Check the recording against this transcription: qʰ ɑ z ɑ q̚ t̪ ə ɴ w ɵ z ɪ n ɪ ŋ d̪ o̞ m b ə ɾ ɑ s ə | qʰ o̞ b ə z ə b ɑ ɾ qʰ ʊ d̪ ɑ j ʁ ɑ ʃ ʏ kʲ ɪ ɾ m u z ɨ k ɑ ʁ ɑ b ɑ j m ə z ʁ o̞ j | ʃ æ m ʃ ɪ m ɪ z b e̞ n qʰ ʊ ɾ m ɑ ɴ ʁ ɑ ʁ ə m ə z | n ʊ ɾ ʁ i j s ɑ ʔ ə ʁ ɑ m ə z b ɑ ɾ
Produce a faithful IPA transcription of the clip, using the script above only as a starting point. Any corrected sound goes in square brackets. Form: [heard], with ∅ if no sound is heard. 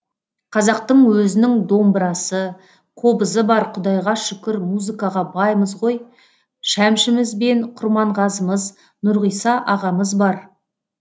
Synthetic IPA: qʰ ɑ z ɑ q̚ t̪ ə ɴ w ɵ z ɪ n ɪ ŋ d̪ o̞ m b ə ɾ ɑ s ə | qʰ o̞ b ə z ə b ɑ ɾ qʰ ʊ d̪ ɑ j ʁ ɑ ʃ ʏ kʲ ɪ ɾ m u z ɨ k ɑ ʁ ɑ b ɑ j m ə z ʁ o̞ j | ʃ æ m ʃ ɪ m ɪ z b e̞ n qʰ ʊ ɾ m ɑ ɴ ʁ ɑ [z] ə m ə z | n ʊ ɾ ʁ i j s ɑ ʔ [ɑ] ʁ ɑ m ə z b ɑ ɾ